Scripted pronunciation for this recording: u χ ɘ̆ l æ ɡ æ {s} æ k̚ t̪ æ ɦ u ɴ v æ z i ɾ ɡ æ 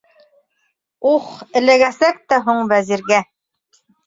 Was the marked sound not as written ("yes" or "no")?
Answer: no